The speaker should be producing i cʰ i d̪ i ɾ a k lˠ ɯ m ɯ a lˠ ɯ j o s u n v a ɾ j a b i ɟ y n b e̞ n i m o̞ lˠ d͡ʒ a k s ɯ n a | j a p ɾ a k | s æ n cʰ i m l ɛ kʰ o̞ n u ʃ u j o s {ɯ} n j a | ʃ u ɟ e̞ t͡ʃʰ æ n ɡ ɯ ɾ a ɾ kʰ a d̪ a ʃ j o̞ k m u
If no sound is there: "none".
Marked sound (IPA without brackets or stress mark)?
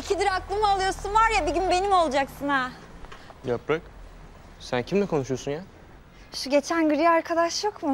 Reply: u